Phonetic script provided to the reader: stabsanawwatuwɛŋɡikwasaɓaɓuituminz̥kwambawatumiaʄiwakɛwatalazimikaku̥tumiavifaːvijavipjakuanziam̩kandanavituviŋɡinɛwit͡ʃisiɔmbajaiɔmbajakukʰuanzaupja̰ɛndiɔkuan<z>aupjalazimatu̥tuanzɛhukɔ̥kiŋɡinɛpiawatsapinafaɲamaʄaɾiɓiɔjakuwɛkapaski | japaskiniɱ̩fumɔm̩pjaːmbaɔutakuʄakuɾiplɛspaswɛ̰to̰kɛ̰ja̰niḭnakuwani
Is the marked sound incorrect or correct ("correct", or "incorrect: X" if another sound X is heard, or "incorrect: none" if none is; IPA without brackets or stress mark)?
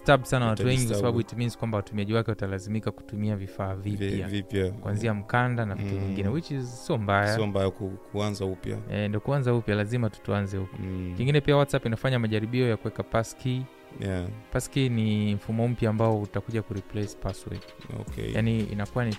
correct